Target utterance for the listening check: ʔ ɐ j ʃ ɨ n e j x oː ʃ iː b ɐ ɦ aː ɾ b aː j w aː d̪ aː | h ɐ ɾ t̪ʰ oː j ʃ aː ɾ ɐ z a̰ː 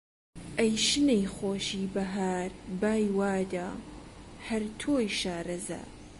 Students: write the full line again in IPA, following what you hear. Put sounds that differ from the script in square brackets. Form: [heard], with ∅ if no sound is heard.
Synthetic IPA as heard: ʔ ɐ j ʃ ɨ n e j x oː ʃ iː b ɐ ɦ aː ɾ b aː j w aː d̪ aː | h ɐ ɾ t̪ʰ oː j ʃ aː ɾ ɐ z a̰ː